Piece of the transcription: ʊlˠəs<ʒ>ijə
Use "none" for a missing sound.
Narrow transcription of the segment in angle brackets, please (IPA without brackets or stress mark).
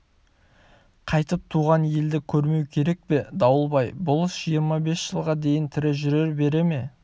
ʒ